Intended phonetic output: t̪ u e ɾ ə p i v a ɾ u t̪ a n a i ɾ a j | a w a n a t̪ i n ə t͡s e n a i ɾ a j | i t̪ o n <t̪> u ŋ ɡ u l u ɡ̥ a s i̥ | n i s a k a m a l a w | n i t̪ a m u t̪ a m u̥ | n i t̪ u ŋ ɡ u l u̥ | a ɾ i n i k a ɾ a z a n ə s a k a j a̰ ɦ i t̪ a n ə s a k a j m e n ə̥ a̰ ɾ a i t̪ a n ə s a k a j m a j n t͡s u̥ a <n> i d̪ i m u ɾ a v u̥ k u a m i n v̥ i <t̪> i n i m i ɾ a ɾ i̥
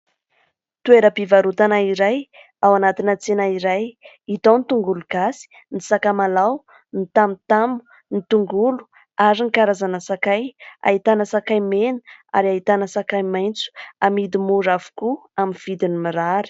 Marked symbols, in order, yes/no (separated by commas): yes, no, no